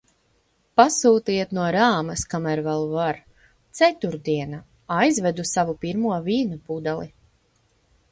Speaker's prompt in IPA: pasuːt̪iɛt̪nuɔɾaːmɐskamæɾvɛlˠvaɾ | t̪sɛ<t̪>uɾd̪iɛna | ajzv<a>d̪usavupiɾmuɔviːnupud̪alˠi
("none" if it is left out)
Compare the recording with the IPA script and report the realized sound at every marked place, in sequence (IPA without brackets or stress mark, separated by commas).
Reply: t̪, ɛ